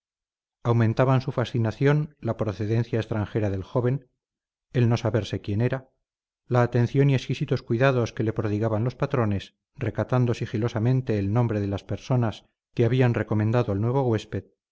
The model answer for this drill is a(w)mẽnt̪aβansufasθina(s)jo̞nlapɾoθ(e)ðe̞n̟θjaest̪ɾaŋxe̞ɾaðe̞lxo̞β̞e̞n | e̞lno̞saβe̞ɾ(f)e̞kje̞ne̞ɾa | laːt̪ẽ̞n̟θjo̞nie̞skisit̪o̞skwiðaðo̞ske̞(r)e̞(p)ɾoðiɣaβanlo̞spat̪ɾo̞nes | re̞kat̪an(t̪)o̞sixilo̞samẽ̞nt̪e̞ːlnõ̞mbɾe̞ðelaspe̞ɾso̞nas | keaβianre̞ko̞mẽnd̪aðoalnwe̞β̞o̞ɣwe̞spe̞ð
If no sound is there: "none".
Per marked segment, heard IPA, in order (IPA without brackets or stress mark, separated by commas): w, θ, e, s, l, p, d̪